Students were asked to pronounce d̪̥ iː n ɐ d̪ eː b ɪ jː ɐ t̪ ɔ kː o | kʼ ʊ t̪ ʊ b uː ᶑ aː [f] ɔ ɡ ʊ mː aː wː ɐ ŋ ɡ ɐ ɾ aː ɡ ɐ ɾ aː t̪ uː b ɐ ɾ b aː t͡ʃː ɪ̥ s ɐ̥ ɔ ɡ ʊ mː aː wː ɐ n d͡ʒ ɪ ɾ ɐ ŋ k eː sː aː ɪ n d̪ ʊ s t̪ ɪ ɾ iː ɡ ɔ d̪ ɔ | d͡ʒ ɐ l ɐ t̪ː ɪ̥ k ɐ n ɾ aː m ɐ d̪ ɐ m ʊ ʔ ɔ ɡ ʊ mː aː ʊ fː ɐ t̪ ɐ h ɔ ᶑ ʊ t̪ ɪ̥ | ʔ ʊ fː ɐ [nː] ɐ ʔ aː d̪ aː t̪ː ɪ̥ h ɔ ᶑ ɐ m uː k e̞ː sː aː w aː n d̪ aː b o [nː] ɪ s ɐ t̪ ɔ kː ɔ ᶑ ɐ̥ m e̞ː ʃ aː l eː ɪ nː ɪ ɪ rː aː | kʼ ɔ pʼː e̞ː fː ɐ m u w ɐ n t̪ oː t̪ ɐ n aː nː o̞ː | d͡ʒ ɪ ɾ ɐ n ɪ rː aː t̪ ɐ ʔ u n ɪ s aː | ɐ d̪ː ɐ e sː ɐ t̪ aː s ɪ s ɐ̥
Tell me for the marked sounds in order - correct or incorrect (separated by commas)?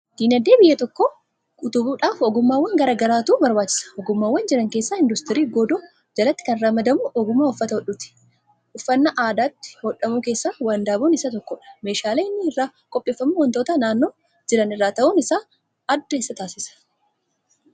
correct, correct, incorrect